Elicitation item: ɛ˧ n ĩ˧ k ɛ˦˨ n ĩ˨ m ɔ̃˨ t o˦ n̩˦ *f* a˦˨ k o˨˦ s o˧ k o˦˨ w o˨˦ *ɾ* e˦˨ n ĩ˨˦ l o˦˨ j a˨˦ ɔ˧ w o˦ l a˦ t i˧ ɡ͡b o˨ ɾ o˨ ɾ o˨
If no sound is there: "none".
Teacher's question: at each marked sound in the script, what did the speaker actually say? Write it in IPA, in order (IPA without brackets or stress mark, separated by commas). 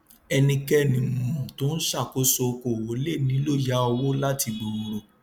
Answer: ʃ, l